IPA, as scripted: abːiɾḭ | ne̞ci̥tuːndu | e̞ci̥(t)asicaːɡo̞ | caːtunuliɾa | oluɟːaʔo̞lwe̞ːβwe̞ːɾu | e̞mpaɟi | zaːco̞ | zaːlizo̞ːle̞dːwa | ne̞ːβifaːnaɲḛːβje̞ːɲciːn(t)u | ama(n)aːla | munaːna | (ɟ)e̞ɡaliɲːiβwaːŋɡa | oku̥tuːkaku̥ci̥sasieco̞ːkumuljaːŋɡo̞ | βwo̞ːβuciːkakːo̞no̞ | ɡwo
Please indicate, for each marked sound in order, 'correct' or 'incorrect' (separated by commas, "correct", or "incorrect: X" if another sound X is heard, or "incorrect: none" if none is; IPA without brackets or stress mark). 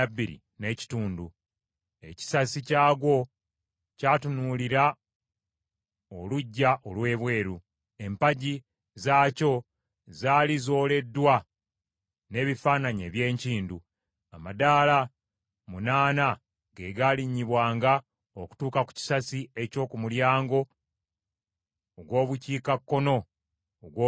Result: incorrect: s, incorrect: d, incorrect: d, incorrect: ɡ